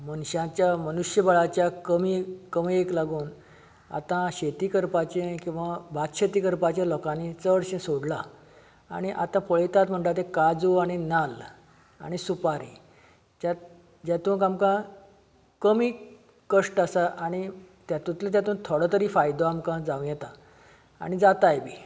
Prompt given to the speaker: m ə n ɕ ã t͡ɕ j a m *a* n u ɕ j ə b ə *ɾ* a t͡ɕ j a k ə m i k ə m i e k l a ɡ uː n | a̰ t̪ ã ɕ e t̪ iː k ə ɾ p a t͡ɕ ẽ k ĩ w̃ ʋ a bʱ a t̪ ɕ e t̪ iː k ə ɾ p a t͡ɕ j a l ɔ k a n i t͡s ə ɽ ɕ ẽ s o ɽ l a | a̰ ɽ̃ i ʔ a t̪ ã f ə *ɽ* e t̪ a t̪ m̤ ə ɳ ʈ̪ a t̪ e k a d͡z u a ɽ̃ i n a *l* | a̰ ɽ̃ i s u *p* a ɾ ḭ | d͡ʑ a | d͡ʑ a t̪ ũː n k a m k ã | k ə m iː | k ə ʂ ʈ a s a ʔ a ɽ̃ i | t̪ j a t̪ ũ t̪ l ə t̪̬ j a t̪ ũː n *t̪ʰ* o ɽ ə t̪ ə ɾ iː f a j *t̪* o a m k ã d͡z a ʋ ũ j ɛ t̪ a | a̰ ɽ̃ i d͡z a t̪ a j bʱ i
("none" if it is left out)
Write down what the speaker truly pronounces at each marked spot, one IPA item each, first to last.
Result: ə, ɭ, ɭ, l, p, t̪ʰ, d̪

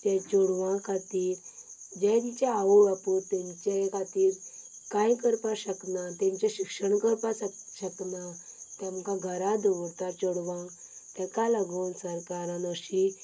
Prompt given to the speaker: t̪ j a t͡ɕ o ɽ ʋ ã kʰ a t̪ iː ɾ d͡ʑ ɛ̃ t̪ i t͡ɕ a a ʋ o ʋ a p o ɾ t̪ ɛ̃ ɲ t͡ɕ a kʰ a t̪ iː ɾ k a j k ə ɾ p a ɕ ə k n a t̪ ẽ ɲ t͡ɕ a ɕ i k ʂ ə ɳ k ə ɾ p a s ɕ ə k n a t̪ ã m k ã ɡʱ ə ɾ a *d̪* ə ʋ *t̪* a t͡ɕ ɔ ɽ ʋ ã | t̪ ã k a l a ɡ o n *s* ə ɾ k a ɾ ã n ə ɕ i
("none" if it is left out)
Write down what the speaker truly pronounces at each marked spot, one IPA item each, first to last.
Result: d̪, t̪, s

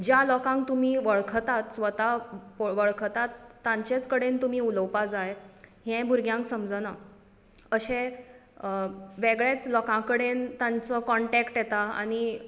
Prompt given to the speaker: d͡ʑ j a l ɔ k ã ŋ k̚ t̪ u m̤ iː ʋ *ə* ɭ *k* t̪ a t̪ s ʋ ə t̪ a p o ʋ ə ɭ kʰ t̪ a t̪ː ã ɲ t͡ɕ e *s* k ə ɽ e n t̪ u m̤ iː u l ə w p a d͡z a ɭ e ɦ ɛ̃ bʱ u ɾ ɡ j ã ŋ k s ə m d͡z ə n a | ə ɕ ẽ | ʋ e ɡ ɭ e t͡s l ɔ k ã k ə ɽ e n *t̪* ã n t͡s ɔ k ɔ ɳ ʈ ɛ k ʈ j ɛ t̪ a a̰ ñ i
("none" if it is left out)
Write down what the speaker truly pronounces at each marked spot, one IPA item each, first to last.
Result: ə, kʰ, t͡s, t̪

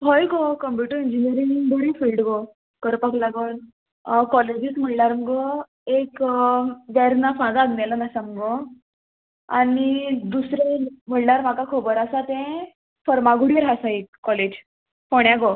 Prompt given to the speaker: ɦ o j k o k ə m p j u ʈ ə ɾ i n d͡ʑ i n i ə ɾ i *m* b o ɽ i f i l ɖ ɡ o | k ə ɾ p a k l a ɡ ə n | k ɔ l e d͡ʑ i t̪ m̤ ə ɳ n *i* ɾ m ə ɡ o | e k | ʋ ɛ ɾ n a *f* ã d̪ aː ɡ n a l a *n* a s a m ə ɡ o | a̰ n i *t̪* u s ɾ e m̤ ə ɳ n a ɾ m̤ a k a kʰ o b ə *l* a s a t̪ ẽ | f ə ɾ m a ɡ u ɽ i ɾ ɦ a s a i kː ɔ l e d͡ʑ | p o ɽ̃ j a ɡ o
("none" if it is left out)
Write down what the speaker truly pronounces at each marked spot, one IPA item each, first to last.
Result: ŋ, a, f, n, d̪, ɾ

